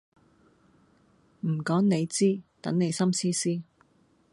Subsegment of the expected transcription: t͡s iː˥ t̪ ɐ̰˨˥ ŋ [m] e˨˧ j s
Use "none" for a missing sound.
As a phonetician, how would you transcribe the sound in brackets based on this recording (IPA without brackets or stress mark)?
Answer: n